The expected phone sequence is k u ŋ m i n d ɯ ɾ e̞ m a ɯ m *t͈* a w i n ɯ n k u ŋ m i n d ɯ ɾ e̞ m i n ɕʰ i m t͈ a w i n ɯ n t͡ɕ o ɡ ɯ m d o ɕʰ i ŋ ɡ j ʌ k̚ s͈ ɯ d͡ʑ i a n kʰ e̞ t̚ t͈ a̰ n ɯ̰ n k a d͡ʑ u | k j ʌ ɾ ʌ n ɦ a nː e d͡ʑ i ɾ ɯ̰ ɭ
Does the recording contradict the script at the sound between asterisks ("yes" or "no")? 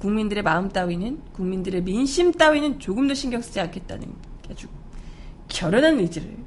no